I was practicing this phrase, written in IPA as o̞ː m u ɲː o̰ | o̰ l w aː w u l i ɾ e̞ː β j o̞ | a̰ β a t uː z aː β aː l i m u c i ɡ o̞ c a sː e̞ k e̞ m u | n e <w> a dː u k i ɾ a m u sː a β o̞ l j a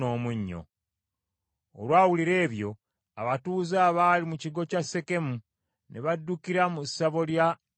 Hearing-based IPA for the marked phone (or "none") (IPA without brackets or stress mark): β